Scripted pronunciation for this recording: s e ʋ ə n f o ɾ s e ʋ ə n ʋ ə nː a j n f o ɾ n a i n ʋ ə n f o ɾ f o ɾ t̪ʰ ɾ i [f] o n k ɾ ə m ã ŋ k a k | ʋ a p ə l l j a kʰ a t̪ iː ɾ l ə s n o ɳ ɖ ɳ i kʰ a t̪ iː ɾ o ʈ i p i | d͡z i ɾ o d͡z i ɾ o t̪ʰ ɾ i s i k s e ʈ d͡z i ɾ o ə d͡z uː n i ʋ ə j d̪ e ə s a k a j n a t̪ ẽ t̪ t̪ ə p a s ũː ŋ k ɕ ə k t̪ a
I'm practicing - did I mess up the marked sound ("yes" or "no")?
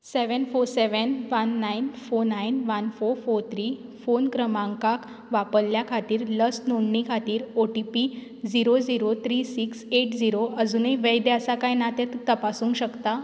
no